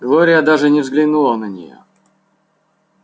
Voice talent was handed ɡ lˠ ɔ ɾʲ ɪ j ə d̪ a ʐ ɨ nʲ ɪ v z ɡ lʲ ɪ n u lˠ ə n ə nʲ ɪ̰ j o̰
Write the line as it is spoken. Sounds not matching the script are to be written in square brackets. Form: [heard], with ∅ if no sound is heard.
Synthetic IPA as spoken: ɡ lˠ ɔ ɾʲ ɪ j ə d̪ a ʐ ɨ nʲ ɪ v z ɡ lʲ ɪ n u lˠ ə n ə nʲ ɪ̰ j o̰